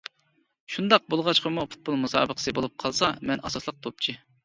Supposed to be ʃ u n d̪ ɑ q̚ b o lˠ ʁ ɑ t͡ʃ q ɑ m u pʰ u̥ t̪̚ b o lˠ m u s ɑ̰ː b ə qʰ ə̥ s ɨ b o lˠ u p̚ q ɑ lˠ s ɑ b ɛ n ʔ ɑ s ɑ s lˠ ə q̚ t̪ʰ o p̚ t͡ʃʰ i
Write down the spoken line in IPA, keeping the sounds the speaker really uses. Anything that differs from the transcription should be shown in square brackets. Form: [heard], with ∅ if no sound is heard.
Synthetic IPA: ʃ u n d̪ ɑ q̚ b o lˠ ʁ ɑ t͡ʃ q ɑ m u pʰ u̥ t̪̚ b o lˠ m u s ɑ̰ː b ə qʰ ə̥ s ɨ b o lˠ u p̚ [qʰ] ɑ lˠ s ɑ [m] ɛ n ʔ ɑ s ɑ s lˠ ə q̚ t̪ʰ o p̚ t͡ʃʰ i